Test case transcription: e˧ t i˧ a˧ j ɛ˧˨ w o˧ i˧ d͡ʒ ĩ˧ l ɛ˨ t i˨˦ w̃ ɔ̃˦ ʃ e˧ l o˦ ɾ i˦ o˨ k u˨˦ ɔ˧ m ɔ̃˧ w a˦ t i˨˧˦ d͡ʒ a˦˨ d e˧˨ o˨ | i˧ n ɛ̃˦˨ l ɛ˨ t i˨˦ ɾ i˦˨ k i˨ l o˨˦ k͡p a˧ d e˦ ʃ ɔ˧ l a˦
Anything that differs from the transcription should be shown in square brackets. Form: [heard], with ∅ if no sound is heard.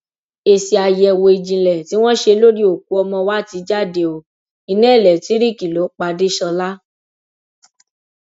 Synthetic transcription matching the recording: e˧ [s] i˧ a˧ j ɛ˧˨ w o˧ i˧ d͡ʒ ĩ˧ l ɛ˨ t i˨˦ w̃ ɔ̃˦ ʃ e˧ l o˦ ɾ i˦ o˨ k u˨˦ ɔ˧ m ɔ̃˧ w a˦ t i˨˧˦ d͡ʒ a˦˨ d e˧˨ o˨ | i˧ n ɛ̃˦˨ l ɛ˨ t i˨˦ ɾ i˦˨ k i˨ l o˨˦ k͡p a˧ d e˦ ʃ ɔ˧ l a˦